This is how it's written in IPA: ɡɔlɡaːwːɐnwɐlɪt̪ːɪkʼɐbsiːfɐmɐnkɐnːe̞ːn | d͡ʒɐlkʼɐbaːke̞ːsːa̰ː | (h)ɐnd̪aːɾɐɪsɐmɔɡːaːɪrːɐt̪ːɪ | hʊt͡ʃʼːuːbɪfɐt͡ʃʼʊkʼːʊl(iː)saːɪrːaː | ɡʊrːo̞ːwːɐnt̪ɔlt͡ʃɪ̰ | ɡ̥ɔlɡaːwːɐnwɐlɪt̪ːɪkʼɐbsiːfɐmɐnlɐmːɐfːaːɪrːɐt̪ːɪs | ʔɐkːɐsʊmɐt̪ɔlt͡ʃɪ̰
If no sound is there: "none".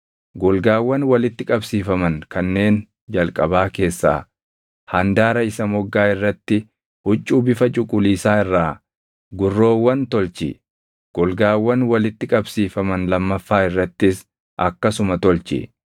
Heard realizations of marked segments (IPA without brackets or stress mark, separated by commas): h, iː